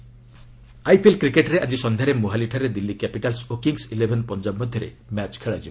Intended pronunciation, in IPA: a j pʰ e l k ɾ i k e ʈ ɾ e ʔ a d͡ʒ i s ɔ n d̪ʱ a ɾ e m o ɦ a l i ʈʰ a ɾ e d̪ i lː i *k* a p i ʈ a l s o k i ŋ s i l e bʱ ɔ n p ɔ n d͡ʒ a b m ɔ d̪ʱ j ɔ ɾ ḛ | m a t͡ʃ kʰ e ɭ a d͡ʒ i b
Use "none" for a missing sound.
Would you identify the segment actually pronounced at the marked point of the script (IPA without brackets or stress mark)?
k